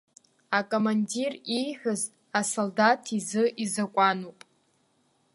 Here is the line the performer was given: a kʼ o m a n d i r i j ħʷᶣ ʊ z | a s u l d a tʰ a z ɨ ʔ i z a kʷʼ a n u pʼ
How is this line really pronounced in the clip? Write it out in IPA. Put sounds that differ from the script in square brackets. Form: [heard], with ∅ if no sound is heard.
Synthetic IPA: a kʼ o m a n d i r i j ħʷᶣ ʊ z | a s [o] l d a tʰ [i] z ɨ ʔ i z a kʷʼ a n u pʼ